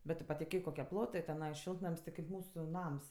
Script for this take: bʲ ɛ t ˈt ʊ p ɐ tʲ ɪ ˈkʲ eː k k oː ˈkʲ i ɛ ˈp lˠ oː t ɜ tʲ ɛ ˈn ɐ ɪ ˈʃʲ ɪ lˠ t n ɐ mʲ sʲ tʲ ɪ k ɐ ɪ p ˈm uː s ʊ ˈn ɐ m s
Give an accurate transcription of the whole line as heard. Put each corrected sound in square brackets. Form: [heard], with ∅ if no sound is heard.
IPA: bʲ ɛ t ˈt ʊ p ɐ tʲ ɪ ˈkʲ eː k k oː ˈkʲ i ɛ ˈp lˠ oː t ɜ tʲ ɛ ˈn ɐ ɪ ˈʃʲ ɪ lˠ t n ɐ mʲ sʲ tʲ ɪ k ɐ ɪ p ˈm uː s ʊ ˈn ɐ m s